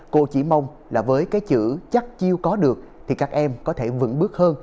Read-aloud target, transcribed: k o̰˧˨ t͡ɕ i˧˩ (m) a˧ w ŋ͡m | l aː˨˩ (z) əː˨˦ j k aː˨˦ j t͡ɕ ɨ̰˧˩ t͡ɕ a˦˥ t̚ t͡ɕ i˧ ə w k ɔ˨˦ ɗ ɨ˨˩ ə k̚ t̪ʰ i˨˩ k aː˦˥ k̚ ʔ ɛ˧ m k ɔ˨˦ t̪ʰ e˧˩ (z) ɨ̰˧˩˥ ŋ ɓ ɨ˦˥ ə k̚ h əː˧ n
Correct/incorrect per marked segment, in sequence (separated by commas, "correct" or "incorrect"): correct, incorrect, incorrect